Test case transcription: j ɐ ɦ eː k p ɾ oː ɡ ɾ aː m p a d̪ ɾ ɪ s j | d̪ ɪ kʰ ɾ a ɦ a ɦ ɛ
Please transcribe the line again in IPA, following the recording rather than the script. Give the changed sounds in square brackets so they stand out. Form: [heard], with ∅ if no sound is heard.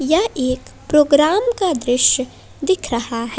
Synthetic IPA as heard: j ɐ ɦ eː k p ɾ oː ɡ ɾ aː m [k] a d̪ ɾ ɪ [ʃ] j | d̪ ɪ kʰ ɾ [ɐ] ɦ a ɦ ɛ